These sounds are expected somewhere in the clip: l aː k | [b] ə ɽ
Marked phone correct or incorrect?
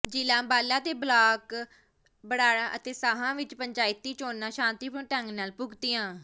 correct